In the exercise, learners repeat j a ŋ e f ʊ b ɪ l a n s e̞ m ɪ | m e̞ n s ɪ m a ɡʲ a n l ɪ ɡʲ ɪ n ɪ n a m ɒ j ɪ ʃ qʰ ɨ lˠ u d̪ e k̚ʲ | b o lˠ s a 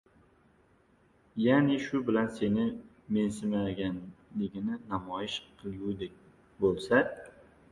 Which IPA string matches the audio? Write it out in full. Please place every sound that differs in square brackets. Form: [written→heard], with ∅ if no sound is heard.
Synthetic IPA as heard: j a [ŋ→n] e [f→ʃ] ʊ b ɪ l a n s e̞ [m→n] ɪ | m e̞ n s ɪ m a ɡʲ a n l ɪ ɡʲ ɪ n ɪ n a m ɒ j ɪ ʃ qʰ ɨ lˠ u d̪ e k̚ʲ | b o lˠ s a